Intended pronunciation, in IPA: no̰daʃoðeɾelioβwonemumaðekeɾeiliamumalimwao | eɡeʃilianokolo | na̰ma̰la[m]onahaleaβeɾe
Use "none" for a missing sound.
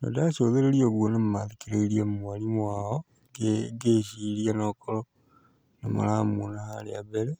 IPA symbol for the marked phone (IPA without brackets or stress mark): m